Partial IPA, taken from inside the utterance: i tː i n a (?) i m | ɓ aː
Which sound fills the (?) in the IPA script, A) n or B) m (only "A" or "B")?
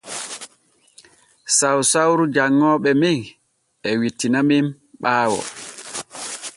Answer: B